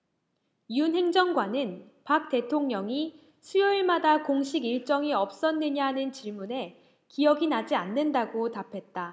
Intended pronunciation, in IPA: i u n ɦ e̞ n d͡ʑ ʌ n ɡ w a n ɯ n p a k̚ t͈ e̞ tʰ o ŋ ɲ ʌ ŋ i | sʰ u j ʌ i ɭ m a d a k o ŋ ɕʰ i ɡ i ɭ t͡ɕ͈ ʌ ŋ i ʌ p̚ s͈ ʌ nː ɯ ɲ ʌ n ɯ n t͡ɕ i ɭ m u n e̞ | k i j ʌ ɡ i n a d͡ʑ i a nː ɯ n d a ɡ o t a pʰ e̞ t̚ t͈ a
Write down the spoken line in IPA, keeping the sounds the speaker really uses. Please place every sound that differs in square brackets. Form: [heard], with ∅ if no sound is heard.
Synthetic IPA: i u n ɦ e̞ [ŋ] d͡ʑ ʌ [ŋ] ɡ w a n ɯ n p a k̚ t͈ e̞ tʰ o ŋ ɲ ʌ ŋ i | sʰ u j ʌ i ɭ m a d a k o ŋ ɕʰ i ɡ i ɭ t͡ɕ͈ ʌ ŋ i ʌ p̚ s͈ ʌ nː ɯ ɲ [a] n ɯ n t͡ɕ i ɭ m u n e̞ | k i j ʌ ɡ i n a d͡ʑ i a nː ɯ n d a ɡ o t a pʰ e̞ t̚ t͈ a